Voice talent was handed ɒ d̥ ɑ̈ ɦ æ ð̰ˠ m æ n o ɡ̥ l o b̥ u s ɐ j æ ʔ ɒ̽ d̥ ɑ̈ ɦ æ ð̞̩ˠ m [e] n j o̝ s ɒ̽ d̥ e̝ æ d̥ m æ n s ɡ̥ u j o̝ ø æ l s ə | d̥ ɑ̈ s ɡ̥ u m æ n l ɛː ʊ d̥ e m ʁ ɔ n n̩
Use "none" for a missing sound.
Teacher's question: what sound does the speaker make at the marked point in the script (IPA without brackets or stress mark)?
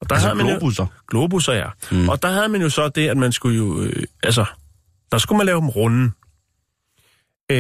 æ